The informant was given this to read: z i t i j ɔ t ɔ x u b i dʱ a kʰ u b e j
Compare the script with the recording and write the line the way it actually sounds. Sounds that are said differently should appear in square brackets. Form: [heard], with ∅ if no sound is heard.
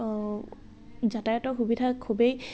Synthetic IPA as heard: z [a] t [a] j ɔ t ɔ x u b i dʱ a kʰ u b e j